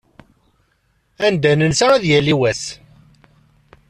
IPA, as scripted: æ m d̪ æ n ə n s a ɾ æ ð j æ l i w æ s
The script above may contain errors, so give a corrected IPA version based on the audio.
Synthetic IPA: æ n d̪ æ n ə n s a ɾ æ ð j æ l i w æ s